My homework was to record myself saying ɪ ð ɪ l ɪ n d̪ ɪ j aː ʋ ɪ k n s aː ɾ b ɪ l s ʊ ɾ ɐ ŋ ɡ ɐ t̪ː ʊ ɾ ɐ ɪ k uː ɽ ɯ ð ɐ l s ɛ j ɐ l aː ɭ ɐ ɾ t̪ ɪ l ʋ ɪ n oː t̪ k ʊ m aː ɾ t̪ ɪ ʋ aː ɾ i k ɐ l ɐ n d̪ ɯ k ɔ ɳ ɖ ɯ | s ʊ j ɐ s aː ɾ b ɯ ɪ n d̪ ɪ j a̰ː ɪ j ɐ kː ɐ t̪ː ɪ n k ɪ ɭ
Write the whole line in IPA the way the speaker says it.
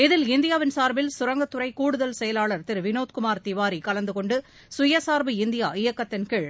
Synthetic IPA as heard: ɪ ð ɪ l ɪ n d̪ ɪ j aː ʋ ɪ n s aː ɾ b ɪ l s ʊ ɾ ɐ ŋ ɡ ɐ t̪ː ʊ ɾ ɐ ɪ k uː ɽ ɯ ð ɐ l s ɛ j ɐ l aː ɭ ɐ ɾ t̪ ɪ ɾ ʋ ɪ n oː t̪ k ʊ m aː ɾ t̪ ɪ ʋ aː ɾ i k ɐ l ɐ n d̪ ɯ k ɔ ɳ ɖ ɯ | s ʊ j ɐ s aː ɾ b ɯ ɪ n d̪ ɪ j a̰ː ɪ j ɐ kː ɐ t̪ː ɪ n k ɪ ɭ